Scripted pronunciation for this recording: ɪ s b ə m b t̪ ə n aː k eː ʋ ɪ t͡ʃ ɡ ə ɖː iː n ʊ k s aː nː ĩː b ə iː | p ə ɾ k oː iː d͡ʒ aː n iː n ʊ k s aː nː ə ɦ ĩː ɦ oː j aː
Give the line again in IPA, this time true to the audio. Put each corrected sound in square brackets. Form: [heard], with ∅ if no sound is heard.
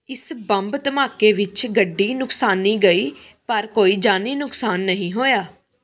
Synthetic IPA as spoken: ɪ s b ə m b t̪ ə [m] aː k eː ʋ ɪ t͡ʃ ɡ ə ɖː iː n ʊ k s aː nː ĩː [ɡ] ə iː | p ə ɾ k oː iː d͡ʒ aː n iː n ʊ k s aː nː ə ɦ ĩː ɦ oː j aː